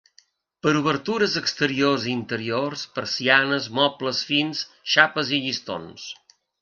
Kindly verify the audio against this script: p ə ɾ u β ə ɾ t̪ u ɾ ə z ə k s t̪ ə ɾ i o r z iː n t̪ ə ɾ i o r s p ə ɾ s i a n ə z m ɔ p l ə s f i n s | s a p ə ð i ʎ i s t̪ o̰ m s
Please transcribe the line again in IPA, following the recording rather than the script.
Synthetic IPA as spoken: p ə ɾ u β ə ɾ t̪ u ɾ ə z ə k s t̪ ə ɾ i o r z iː n t̪ ə ɾ i o r s p ə ɾ s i a n ə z m ɔ p l ə s f i n s | ʃ a p ə z i ʎ i s t̪ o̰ n s